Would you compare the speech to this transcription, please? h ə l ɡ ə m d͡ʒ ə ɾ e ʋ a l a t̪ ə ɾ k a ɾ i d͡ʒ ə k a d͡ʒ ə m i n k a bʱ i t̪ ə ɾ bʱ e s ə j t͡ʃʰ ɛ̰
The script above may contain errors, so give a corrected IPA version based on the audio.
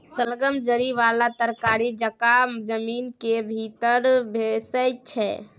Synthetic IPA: s ə l ɡ ə m d͡ʒ ə ɾ i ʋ a l a t̪ ə ɾ k a ɾ i d͡ʒ ə k a d͡ʒ ə m i n k e bʱ i t̪ ə ɾ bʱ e s ə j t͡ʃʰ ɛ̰